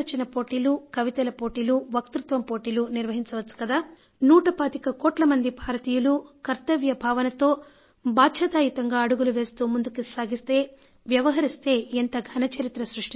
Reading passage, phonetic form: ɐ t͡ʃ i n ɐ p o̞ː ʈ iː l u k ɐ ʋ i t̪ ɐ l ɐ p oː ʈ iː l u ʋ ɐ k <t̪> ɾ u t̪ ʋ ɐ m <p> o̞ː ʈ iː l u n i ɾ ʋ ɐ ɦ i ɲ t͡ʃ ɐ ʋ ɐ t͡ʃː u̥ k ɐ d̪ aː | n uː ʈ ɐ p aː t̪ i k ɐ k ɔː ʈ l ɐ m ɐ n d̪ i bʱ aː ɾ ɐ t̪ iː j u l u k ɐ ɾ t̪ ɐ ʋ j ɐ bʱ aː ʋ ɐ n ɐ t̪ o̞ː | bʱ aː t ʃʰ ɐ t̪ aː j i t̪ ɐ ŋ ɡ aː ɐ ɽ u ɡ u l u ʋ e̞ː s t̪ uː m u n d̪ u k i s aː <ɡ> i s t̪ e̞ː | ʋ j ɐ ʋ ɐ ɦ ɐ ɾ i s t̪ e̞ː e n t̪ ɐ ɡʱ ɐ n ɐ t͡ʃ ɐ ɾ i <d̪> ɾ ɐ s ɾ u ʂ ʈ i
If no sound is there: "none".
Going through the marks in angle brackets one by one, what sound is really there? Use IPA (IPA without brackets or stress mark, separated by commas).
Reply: t̪, p, ɡ, t̪